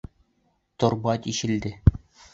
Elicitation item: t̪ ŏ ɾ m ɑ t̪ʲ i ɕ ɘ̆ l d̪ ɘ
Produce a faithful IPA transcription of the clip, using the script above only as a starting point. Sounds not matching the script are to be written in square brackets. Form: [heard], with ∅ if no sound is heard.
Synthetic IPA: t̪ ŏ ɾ [b] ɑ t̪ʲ i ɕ ɘ̆ l d̪ ɘ